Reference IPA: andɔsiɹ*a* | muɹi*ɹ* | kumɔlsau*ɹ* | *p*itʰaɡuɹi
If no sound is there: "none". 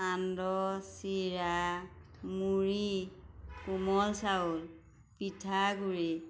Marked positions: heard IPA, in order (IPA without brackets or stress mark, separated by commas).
a, none, l, p